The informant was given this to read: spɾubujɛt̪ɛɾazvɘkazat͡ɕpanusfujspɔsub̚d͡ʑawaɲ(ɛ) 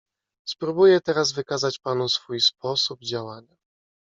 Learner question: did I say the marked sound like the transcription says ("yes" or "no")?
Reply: no